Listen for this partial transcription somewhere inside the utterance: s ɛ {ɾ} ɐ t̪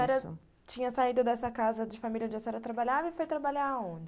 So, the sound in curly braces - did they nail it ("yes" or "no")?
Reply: yes